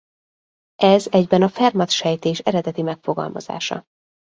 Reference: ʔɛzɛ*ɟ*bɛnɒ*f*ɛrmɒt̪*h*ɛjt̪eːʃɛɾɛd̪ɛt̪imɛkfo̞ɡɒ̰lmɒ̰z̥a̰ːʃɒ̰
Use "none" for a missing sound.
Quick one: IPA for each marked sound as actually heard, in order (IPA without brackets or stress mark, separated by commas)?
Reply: ɟ, f, ʃ